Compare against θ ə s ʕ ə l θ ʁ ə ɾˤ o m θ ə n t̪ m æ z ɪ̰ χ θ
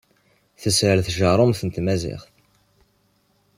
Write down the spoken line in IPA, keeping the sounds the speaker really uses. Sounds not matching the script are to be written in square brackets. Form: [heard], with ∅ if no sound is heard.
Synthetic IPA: θ ə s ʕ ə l θ [ʒ] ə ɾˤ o m θ ə n t̪ m æ z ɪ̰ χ θ